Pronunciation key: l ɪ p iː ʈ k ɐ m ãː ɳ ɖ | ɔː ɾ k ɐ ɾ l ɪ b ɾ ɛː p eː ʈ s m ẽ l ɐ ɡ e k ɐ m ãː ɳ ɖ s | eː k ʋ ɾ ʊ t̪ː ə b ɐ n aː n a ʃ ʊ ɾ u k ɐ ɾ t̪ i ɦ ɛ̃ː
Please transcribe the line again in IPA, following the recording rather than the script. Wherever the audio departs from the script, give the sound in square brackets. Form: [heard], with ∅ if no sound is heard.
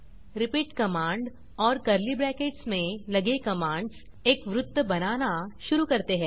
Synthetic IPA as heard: [ɾ] ɪ p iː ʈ k ɐ m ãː ɳ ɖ | ɔː ɾ k ɐ ɾ l [i] b ɾ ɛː [k] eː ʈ s m ẽ l ɐ ɡ e k ɐ m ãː ɳ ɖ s | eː k ʋ ɾ ʊ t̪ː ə b ɐ n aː n a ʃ ʊ ɾ u k ɐ ɾ t̪ [e] ɦ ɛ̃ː